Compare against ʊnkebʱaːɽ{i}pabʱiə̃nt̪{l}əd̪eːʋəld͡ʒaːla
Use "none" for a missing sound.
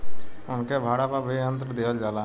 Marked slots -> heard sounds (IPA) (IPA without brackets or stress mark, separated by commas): a, ɾ